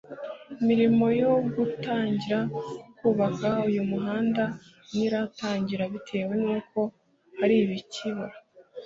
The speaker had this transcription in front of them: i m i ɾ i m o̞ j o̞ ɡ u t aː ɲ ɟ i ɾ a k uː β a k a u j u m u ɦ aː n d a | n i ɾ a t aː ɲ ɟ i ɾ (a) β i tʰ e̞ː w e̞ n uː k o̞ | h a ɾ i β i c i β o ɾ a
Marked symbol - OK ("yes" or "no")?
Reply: yes